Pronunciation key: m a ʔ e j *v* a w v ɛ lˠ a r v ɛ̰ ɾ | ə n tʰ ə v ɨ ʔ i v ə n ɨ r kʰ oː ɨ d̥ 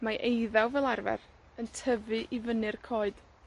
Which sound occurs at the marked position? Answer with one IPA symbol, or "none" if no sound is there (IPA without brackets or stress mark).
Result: ð